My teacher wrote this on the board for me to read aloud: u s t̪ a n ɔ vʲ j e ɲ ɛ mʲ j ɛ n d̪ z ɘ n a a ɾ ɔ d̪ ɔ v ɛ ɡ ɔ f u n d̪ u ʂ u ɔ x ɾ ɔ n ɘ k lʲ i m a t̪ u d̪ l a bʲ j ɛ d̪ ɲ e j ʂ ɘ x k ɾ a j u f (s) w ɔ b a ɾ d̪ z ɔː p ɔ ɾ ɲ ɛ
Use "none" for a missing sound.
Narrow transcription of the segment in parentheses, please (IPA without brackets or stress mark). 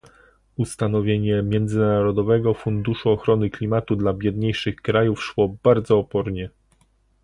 ʂ